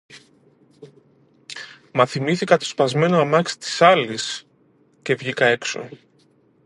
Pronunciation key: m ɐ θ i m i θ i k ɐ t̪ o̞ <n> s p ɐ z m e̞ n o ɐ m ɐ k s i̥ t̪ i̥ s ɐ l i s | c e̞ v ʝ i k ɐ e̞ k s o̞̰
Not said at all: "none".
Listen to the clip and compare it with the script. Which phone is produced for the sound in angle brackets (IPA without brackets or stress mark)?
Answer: none